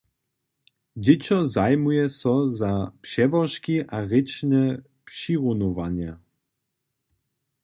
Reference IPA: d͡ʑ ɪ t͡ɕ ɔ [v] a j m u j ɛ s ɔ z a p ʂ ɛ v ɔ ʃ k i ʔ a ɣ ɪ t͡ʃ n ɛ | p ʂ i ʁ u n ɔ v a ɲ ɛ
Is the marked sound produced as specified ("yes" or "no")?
no